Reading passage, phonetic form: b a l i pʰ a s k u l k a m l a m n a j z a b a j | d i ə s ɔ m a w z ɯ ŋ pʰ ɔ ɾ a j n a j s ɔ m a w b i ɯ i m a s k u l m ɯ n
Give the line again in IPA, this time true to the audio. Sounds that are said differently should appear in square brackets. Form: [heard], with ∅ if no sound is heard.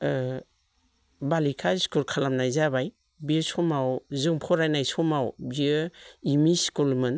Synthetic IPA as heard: b a l i [kʰ] a s k u l [kʰ] a [∅] l a m n a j z a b a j | [b] i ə s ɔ m a w z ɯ ŋ pʰ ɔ ɾ a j n a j s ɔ m a w b i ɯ i m [i] s k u l m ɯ n